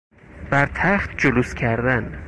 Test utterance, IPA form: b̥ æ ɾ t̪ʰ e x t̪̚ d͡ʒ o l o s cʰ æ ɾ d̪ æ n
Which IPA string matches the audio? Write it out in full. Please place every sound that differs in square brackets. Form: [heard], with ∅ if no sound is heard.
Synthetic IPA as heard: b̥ æ ɾ t̪ʰ [æ] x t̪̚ d͡ʒ o l [u] s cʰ æ ɾ d̪ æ n